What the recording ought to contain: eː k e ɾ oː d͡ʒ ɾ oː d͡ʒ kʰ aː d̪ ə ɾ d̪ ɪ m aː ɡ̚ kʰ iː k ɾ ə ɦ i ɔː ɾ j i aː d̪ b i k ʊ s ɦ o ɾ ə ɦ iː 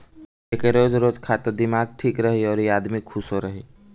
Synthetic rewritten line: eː k e ɾ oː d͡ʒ ɾ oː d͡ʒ kʰ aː t̪ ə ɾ d̪ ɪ m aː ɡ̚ ʈʰ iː k ɾ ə ɦ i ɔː ɾ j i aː d̪ m i kʰ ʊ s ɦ o ɾ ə ɦ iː